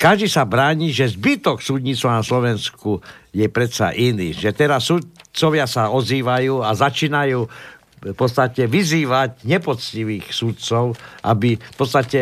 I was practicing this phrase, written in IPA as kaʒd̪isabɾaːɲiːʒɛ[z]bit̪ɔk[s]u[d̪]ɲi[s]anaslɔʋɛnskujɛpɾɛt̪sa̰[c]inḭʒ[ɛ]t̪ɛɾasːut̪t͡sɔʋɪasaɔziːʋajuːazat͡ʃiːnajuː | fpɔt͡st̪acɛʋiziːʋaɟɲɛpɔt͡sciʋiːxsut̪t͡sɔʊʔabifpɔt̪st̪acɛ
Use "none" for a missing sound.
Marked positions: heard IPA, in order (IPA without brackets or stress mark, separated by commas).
z, s, d̪, t͡s, ʔ, ɛ